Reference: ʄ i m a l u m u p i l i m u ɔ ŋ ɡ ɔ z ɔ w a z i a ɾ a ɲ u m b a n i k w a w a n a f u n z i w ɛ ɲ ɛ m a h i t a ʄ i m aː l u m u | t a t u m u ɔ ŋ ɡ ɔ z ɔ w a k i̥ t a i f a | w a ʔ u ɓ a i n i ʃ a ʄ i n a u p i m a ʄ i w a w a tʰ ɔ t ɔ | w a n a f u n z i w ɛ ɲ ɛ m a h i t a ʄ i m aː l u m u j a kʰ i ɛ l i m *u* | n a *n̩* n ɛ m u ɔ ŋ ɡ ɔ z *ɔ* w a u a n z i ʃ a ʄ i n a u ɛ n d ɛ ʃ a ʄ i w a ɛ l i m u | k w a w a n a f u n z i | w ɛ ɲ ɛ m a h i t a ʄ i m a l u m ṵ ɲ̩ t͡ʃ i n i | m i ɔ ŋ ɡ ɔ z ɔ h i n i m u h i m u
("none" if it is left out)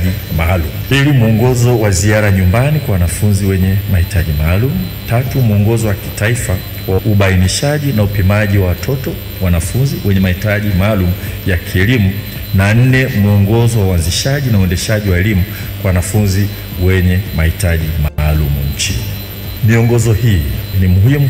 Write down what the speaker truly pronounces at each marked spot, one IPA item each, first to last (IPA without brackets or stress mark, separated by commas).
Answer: u, n̩, ɔ